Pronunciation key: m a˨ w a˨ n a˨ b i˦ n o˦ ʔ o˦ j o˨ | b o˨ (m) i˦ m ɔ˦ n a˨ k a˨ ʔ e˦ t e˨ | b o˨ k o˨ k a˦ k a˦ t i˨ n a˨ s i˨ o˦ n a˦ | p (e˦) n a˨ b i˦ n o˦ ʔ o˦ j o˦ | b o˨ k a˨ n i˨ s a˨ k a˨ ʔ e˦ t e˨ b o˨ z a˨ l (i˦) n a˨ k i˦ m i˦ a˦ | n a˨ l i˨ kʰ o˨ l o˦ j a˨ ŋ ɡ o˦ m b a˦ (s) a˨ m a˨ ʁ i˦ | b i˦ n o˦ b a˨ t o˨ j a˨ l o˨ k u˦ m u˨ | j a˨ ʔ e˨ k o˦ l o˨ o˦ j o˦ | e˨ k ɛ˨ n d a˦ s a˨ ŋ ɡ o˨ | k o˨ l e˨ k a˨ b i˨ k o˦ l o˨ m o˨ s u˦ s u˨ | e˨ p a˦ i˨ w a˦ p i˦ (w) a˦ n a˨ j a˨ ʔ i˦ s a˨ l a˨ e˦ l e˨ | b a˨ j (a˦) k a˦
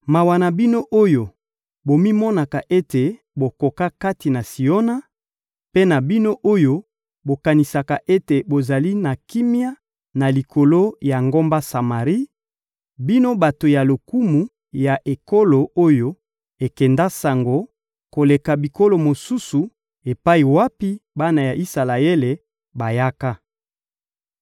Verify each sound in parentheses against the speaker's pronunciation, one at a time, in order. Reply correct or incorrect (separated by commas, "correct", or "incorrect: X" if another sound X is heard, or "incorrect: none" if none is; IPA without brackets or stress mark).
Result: correct, correct, correct, correct, incorrect: b, correct